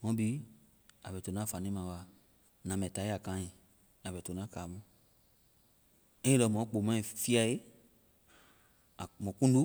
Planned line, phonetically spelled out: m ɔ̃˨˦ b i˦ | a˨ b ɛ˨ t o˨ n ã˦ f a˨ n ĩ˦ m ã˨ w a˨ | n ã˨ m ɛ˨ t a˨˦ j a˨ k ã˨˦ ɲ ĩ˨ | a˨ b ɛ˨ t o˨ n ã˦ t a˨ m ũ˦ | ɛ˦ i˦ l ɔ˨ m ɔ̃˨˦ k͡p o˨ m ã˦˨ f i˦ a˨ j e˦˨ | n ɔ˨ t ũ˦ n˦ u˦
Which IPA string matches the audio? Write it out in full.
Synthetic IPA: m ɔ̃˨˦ b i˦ | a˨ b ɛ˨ t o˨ n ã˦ f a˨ n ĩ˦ m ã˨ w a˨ | n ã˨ m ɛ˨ t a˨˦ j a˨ k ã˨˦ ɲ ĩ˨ | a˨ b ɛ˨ t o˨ n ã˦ k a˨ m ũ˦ | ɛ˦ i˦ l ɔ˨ m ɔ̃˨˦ k͡p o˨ m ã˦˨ f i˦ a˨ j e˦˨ | m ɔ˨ k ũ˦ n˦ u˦

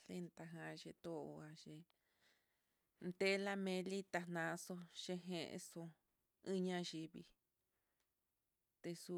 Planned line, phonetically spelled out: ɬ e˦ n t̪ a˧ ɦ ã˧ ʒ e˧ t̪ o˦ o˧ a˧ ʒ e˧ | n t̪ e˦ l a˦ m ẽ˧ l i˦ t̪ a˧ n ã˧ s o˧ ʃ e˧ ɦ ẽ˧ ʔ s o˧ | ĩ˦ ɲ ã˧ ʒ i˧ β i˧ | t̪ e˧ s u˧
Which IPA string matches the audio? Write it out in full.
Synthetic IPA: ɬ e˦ n t̪ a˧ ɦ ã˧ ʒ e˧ t̪ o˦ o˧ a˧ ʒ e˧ | n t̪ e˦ l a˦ m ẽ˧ l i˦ t̪ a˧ n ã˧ s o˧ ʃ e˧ ɦ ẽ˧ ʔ s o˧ | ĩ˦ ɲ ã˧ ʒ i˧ β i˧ | t̪ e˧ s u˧

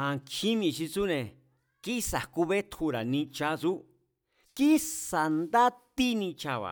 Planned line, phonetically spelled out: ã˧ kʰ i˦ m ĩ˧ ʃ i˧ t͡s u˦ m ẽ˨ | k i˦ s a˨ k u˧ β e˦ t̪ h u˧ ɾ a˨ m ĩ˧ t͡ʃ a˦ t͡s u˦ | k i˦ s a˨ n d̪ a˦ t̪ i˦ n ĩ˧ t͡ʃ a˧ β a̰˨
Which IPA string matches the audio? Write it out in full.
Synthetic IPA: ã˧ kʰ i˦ m ĩ˧ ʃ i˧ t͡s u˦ n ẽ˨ | k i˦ s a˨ k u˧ β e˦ t̪ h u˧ ɾ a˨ n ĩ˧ t͡ʃ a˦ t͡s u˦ | k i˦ s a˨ n d̪ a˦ t̪ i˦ n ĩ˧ t͡ʃ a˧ β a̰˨

